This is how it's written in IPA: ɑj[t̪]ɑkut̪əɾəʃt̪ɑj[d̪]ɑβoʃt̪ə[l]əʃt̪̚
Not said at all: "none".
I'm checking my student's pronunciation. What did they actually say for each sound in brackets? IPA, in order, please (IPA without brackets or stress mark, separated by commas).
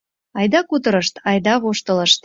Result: d̪, d̪, l